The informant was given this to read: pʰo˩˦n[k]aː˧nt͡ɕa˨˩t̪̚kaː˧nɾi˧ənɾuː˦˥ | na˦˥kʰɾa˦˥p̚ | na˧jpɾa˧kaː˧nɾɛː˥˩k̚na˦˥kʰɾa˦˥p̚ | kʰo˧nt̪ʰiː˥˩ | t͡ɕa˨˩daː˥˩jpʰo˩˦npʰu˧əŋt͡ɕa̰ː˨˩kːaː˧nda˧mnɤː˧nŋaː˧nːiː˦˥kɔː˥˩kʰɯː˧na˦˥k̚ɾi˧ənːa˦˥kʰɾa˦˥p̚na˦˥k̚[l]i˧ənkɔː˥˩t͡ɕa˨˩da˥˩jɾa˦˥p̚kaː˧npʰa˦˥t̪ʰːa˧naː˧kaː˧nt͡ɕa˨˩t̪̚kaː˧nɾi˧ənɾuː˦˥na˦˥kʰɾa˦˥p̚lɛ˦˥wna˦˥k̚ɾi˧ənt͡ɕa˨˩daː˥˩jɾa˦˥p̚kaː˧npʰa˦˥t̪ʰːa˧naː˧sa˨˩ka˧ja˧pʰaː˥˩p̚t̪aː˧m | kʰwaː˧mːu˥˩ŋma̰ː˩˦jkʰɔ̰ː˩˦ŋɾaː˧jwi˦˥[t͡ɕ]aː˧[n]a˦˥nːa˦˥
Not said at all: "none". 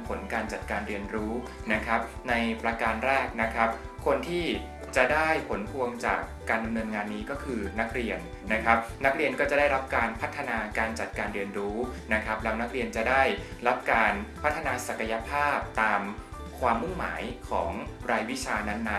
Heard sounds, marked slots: k, ɾ, t͡ɕʰ, n

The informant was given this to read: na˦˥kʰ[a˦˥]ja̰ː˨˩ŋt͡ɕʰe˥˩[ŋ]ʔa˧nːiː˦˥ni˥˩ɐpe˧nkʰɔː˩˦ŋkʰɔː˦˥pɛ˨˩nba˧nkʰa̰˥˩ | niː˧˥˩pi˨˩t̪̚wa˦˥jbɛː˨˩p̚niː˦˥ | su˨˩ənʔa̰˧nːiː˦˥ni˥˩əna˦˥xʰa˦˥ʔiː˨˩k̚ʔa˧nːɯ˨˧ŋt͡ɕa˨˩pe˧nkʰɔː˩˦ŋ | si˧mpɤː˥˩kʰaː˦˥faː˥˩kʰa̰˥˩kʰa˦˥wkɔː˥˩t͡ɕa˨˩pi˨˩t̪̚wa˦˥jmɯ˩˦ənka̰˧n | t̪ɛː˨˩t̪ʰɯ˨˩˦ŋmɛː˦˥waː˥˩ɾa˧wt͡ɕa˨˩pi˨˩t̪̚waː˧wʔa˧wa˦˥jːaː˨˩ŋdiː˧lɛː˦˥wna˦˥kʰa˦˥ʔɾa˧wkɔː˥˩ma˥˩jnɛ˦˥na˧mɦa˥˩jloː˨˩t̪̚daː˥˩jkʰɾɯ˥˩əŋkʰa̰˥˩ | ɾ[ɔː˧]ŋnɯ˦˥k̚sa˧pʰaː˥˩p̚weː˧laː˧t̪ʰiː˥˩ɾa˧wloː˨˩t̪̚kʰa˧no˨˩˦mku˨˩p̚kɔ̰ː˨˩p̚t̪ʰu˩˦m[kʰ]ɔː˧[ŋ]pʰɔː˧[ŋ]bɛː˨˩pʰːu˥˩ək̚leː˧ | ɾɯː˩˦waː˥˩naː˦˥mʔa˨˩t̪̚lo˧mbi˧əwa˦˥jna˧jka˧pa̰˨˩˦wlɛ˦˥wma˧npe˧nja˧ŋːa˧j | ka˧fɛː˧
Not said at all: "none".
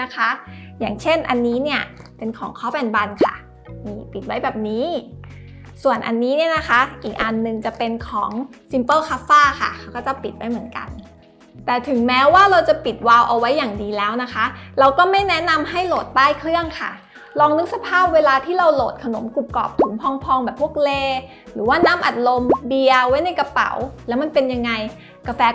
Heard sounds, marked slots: a˦˥, n, ɔː˧, pʰ, ŋ, ŋ

